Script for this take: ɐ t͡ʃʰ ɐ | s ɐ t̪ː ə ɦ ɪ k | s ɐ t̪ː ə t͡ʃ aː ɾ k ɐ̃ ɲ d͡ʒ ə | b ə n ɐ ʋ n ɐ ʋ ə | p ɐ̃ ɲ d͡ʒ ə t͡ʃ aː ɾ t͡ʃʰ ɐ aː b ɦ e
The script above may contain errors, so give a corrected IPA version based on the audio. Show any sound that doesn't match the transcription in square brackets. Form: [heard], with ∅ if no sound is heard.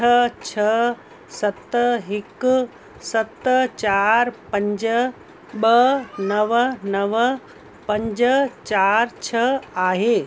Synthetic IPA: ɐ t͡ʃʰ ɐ | s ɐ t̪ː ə ɦ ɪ k | s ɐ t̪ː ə t͡ʃ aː ɾ [p] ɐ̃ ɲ d͡ʒ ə | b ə n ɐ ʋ n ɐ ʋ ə | p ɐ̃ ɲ d͡ʒ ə t͡ʃ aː ɾ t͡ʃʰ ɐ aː [∅] ɦ e